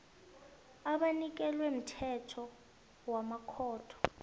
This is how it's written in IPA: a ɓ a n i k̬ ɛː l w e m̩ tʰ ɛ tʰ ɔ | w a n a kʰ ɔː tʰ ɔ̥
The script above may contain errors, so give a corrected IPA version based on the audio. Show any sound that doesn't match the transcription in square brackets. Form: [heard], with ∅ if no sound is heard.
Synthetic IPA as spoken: a ɓ a n i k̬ [ɛ] l w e m̩ tʰ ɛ tʰ ɔ | w a [m] a kʰ ɔː tʰ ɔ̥